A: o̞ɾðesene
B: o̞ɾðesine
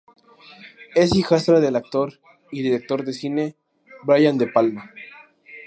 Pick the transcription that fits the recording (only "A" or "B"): B